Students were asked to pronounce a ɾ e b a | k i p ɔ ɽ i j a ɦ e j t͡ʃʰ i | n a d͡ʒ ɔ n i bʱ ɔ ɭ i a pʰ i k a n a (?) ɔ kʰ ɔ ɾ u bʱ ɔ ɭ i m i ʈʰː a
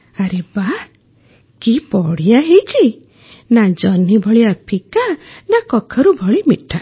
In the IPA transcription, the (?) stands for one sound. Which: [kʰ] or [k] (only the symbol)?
k